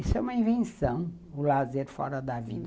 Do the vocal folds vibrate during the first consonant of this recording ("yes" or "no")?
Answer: no